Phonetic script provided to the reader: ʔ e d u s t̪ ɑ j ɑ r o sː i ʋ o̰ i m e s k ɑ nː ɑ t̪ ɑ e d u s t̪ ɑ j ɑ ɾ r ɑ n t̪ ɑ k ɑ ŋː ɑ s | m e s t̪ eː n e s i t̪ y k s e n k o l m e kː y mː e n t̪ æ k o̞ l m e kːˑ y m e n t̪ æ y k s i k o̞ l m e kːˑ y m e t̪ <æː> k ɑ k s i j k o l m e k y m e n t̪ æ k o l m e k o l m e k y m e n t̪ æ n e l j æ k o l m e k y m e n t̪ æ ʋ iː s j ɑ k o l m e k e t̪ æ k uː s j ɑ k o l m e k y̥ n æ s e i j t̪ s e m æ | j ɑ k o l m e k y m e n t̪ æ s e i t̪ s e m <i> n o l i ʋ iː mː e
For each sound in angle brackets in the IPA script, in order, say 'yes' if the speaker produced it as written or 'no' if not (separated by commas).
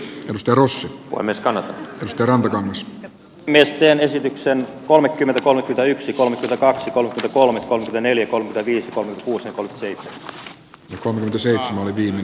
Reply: no, no